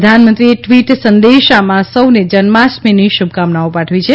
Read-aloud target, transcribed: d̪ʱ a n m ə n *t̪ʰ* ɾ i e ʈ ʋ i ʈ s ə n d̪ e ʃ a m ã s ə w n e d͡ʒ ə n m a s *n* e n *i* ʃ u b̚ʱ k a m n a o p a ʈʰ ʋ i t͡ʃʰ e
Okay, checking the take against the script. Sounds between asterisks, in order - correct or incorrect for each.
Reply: incorrect: t̪, incorrect: m, correct

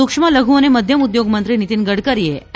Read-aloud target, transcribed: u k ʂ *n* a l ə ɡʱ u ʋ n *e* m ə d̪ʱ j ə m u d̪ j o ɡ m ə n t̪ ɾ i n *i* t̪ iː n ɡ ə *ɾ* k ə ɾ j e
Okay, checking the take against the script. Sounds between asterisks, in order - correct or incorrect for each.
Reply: incorrect: m, correct, correct, incorrect: ɽ

